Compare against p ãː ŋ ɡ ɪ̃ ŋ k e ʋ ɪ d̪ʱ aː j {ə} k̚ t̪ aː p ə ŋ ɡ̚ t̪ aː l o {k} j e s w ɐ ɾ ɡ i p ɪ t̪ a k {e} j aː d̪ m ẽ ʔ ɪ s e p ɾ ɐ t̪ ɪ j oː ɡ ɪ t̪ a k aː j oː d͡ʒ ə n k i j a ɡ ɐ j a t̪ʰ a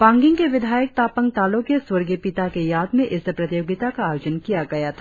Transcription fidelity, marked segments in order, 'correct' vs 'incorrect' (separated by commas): correct, correct, correct